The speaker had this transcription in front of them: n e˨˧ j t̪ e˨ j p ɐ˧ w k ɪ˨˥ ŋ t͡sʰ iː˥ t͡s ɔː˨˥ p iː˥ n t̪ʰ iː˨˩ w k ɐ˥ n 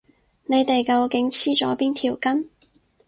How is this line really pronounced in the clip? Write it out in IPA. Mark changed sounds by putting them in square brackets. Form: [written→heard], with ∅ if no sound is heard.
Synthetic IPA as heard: n e˨˧ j t̪ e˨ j [p→k] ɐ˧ w k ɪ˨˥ ŋ t͡sʰ iː˥ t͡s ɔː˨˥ p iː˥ n t̪ʰ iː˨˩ w k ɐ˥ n